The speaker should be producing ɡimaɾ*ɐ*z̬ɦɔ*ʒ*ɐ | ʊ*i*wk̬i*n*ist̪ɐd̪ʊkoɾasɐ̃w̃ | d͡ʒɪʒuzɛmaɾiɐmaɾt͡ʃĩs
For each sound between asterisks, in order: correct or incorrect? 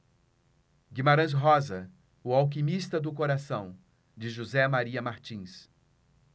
incorrect: ɐ̃, incorrect: z, incorrect: a, incorrect: m

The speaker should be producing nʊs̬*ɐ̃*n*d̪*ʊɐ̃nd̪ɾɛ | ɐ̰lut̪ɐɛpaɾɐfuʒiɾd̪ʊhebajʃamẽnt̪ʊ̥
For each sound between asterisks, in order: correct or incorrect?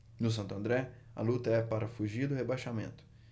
correct, incorrect: t̪

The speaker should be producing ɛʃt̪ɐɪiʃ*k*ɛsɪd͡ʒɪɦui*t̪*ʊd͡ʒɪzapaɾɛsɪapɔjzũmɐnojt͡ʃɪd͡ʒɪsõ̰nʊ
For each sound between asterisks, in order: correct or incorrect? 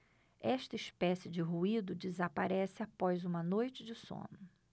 incorrect: p, incorrect: d̪

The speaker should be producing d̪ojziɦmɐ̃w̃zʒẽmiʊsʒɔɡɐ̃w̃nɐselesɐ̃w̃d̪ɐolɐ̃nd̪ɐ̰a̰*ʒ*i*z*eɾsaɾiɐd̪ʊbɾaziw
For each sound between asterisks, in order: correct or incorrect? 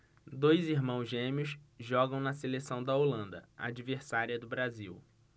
incorrect: d͡ʒ, incorrect: v

